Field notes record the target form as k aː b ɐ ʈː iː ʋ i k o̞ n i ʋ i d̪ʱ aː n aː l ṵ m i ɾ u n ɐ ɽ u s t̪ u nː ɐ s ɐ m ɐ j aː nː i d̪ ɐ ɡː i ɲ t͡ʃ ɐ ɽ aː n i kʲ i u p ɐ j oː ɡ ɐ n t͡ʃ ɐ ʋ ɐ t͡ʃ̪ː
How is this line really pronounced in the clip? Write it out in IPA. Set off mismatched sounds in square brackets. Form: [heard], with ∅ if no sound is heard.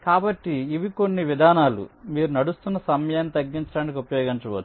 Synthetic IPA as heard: k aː b ɐ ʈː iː ʋ i k o̞ [nː] i ʋ i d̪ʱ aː n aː l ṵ m [iː] ɾ u n ɐ ɽ u s t̪ u nː ɐ s ɐ m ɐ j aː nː i [t̪] ɐ ɡː i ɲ t͡ʃ ɐ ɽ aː n i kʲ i u p ɐ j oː ɡ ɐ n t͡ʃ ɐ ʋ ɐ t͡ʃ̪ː